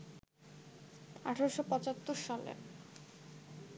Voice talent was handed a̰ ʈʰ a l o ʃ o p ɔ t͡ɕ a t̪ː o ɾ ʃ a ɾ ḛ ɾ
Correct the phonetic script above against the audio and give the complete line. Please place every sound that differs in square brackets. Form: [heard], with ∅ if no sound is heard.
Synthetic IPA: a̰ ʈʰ a [ɾ] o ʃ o p ɔ t͡ɕ a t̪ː o ɾ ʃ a [l] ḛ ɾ